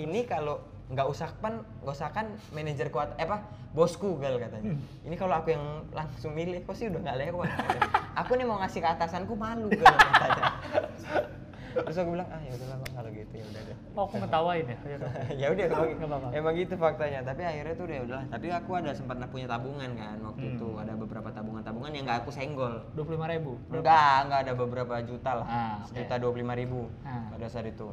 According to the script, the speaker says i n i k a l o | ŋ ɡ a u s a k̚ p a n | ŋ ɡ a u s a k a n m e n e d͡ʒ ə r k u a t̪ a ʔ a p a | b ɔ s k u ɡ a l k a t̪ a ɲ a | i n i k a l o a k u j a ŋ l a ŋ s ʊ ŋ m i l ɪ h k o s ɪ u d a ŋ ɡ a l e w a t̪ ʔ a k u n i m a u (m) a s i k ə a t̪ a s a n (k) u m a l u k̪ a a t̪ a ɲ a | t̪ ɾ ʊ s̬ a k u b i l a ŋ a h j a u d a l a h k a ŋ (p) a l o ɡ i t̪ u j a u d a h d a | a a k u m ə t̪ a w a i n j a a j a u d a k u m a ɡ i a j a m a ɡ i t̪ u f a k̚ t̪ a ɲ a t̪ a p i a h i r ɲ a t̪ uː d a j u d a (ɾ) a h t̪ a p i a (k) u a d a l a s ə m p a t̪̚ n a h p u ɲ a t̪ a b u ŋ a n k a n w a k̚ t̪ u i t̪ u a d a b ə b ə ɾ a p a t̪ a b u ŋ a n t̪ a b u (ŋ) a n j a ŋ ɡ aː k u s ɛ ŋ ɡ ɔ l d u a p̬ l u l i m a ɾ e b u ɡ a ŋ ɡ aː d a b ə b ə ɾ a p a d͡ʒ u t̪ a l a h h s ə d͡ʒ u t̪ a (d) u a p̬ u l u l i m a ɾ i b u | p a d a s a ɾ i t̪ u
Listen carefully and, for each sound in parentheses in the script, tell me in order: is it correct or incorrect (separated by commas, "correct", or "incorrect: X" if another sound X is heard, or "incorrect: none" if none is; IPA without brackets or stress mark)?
incorrect: ŋ, correct, incorrect: k, incorrect: l, correct, correct, correct